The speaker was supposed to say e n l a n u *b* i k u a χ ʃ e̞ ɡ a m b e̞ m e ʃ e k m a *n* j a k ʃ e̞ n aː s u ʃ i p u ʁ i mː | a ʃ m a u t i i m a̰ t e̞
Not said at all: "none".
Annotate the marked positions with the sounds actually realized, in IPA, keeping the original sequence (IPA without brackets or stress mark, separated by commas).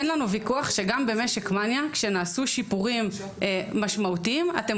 v, n